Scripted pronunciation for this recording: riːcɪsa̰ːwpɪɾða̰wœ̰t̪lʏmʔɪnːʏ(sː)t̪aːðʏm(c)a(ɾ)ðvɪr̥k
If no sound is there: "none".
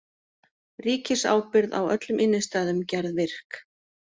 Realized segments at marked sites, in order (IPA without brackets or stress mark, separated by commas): s, c, ɾ